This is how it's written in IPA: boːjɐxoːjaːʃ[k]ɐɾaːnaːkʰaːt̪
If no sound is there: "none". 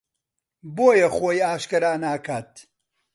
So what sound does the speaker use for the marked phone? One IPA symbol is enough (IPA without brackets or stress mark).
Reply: k